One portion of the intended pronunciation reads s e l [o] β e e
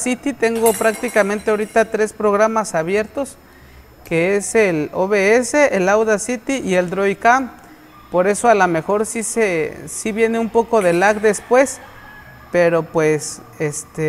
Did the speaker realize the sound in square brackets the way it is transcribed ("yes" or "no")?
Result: yes